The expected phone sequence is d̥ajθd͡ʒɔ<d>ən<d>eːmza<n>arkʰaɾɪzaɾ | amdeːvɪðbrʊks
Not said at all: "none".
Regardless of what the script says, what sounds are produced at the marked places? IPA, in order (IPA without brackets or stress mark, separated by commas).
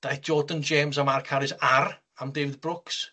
d, d͡ʒ, m